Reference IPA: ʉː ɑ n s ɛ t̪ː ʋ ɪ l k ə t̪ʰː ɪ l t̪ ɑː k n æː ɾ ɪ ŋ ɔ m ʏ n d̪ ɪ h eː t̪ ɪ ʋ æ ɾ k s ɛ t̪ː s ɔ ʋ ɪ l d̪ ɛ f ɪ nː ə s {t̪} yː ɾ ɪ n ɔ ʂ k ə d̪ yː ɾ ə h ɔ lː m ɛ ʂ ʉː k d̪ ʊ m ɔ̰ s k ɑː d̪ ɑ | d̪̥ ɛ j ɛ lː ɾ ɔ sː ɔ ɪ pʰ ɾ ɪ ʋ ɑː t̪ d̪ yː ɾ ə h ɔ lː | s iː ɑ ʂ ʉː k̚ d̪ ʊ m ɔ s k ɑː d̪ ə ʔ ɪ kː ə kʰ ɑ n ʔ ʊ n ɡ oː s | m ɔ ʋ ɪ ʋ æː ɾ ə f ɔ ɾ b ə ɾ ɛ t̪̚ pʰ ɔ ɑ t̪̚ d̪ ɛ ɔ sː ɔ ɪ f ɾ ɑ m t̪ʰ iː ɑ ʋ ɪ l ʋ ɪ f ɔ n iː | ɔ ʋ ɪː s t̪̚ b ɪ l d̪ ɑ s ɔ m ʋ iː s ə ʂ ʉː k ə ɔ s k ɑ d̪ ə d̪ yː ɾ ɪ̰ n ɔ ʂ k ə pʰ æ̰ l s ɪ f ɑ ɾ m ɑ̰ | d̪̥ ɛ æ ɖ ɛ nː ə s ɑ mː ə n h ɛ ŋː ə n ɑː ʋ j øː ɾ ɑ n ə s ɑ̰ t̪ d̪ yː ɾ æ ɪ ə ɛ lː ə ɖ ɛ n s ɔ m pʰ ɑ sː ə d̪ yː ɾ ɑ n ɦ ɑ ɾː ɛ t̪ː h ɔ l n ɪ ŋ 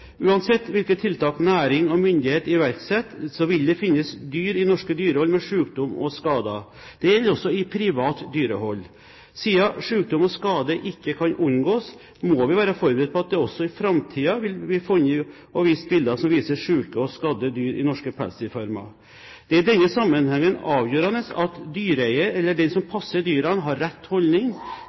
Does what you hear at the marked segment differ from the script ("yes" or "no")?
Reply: yes